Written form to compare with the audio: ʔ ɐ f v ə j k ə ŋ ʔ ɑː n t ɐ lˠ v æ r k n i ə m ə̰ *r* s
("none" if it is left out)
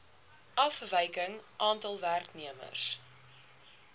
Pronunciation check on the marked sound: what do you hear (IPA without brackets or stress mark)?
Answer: r